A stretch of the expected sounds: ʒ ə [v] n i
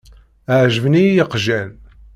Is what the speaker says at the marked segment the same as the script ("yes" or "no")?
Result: yes